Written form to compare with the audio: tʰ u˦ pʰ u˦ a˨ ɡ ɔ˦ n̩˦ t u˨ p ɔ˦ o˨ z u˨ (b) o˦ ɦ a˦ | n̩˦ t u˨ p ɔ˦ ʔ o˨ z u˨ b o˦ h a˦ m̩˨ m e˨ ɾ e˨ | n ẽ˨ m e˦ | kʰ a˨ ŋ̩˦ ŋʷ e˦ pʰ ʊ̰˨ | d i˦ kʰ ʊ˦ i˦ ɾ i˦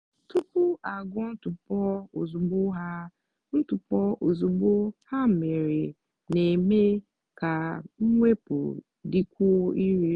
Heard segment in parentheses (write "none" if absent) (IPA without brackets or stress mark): b